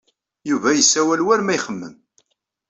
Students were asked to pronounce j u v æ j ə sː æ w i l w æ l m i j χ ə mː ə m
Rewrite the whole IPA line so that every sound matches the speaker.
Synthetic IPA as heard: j u v æ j ə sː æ w æ l w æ ɾ m æ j χ ə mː ə m